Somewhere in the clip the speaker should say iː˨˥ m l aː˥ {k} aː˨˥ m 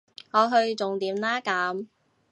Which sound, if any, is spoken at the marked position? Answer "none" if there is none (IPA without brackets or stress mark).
k